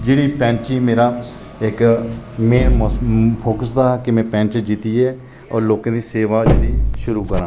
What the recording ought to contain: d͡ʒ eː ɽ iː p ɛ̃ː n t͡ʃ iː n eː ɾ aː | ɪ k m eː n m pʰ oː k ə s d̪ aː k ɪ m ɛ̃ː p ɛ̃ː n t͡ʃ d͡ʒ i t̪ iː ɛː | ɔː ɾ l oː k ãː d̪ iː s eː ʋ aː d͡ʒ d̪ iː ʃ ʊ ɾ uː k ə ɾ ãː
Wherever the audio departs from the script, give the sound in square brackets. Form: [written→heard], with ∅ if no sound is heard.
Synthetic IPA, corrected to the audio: d͡ʒ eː ɽ iː p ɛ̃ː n t͡ʃ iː [n→m] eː ɾ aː | ɪ k m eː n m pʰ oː k ə s d̪ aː k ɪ m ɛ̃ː p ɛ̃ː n t͡ʃ d͡ʒ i t̪ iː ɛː | ɔː ɾ l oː k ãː d̪ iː s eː ʋ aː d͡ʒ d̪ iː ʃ ʊ ɾ uː k ə ɾ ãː